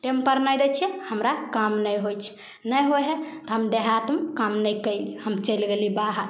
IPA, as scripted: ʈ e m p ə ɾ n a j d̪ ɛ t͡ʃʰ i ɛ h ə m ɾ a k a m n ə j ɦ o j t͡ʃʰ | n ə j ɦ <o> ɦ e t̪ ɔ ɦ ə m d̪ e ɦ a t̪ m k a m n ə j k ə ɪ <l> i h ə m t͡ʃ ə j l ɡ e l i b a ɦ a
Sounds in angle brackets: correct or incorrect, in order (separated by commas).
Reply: correct, correct